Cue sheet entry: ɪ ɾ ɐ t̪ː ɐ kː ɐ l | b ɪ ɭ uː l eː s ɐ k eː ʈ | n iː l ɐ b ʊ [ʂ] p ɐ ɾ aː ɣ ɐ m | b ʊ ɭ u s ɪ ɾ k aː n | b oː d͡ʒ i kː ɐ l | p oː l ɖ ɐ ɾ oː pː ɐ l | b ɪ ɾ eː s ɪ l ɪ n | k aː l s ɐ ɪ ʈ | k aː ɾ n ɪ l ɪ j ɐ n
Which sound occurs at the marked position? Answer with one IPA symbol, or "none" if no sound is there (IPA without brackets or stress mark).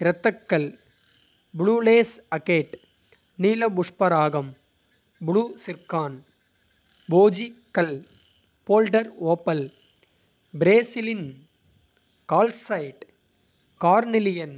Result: ʂ